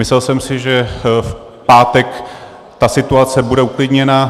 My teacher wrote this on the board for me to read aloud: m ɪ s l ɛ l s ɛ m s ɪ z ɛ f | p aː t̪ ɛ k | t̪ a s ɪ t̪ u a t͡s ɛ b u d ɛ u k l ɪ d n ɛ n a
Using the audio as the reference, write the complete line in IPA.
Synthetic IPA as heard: m ɪ s l ɛ l s ɛ m s ɪ ʒ ɛ f | p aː t̪ ɛ k | t̪ a s ɪ t̪ u a t͡s ɛ b u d ɛ u k l ɪ d ɲ ɛ n a